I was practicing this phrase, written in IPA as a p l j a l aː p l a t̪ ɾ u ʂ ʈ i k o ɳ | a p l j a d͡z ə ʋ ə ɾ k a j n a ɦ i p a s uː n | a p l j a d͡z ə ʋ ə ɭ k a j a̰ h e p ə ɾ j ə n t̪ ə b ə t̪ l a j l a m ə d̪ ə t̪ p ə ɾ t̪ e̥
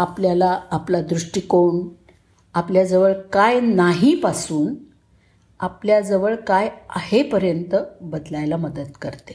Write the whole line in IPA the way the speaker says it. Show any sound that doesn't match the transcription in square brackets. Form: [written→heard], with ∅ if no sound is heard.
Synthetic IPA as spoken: a p l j a l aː p l a [t̪→d̪] ɾ u ʂ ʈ i k o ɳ | a p l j a d͡z ə ʋ ə [ɾ→ɭ] k a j n a ɦ i p a s uː n | a p l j a d͡z ə ʋ ə ɭ k a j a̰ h e p ə ɾ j ə n t̪ ə b ə [t̪→d̪] l a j l a m ə d̪ ə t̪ [p→k] ə ɾ t̪ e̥